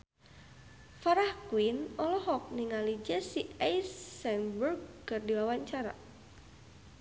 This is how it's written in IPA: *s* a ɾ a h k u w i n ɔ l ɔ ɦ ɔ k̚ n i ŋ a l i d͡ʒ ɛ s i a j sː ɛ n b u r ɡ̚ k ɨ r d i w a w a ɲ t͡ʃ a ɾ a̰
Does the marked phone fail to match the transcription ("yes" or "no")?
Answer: yes